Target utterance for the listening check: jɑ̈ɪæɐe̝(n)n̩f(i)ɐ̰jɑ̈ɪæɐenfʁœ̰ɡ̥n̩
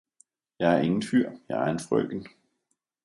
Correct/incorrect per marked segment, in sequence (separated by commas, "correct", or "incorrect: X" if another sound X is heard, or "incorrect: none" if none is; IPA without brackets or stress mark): incorrect: ŋ, incorrect: y